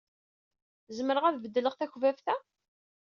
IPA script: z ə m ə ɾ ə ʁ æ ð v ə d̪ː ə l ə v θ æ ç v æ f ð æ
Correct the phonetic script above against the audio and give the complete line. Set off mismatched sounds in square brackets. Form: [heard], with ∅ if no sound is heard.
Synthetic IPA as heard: z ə m ə ɾ ə ʁ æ ð v ə d̪ː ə l ə [ʁ] θ æ ç v æ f [θ] æ